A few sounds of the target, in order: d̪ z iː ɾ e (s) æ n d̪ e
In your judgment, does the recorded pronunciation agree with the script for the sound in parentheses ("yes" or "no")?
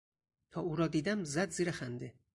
no